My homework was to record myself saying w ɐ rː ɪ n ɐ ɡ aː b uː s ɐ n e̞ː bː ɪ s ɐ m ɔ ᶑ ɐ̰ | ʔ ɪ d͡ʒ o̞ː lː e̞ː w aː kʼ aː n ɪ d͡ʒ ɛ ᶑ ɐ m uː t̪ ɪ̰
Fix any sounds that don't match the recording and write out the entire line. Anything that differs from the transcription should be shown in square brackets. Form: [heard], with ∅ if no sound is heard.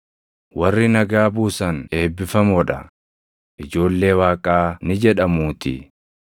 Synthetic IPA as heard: w ɐ rː ɪ n ɐ ɡ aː b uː s ɐ n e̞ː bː ɪ [f] ɐ m ɔ ᶑ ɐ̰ | ʔ ɪ d͡ʒ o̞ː lː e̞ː w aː kʼ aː n ɪ d͡ʒ ɛ ᶑ ɐ m uː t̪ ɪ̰

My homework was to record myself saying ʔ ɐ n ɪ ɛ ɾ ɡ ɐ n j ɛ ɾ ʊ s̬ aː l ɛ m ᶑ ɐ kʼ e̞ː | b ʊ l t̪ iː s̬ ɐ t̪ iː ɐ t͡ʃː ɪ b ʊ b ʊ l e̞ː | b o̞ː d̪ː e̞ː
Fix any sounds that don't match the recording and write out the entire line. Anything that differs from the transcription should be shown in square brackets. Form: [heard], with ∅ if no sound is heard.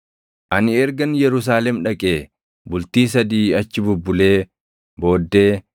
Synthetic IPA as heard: ʔ ɐ n ɪ ɛ ɾ ɡ ɐ n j ɛ ɾ ʊ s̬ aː l ɛ m ᶑ ɐ kʼ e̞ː | b ʊ l t̪ iː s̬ ɐ [d̪] iː ɐ t͡ʃː ɪ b ʊ [bː] ʊ l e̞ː | b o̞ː d̪ː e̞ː

